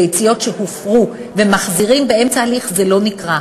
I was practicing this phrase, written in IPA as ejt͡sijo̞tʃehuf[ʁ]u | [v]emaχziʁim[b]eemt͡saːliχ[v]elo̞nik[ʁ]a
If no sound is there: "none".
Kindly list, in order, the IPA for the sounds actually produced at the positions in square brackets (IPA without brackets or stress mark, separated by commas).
ʁ, v, b, z, ʁ